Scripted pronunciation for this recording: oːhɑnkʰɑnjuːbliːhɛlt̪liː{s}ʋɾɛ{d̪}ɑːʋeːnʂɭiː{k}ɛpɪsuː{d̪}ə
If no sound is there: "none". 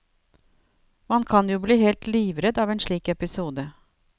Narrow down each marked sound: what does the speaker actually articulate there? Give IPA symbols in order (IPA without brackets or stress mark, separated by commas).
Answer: none, d̪, k, d̪